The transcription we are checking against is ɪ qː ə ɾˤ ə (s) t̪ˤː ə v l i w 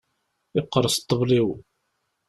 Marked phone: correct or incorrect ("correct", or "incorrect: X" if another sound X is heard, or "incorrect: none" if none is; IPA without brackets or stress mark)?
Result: correct